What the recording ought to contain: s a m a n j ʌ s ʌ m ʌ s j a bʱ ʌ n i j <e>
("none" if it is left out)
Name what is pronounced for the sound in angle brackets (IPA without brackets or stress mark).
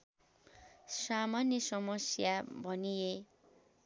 e